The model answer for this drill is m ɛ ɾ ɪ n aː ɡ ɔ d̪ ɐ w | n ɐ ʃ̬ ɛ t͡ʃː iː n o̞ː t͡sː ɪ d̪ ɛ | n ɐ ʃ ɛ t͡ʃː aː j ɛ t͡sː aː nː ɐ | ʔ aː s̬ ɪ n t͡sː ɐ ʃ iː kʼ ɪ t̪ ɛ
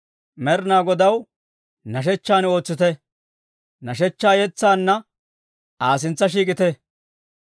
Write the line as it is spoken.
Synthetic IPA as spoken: m ɛ ɾ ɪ n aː ɡ ɔ d̪ ɐ w | n ɐ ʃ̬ ɛ t͡ʃː aː n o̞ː t͡sː ɪ t̪ ɛ | n ɐ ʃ ɛ t͡ʃː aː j ɛ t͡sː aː nː ɐ | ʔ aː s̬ ɪ n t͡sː ɐ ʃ iː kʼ ɪ t̪ ɛ